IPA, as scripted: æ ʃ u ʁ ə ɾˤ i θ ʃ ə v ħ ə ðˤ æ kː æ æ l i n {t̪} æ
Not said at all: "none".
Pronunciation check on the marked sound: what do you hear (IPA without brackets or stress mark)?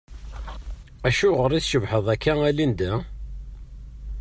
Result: d̪